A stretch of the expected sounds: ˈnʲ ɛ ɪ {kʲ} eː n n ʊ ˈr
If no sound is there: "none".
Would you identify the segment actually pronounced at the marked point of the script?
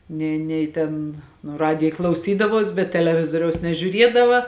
tʲ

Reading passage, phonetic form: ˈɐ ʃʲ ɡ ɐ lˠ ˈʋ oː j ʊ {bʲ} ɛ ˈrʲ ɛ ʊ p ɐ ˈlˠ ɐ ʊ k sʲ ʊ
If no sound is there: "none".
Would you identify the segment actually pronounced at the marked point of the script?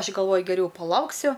ɡʲ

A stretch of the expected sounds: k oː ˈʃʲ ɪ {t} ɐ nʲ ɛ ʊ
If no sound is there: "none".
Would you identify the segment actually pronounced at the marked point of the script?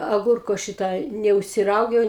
t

